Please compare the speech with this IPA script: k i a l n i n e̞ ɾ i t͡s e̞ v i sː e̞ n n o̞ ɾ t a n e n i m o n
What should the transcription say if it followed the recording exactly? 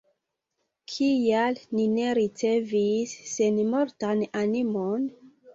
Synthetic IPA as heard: kʰ i a l n i n e̞ ɾ i t͡s e̞ v i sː e̞ n m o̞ ɾ t a n a n i m o n